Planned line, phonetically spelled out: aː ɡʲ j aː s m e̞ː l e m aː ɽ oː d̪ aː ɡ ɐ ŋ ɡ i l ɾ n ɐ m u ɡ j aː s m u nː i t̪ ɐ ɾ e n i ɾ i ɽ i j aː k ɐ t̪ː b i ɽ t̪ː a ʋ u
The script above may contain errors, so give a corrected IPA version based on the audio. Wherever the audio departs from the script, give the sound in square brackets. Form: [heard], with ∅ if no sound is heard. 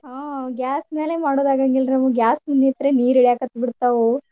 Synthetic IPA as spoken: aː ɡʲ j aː s m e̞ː l e m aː ɽ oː d̪ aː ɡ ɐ ŋ ɡ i l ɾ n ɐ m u ɡ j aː s m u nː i t̪ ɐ ɾ e n [iː] ɾ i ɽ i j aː k ɐ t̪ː b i ɽ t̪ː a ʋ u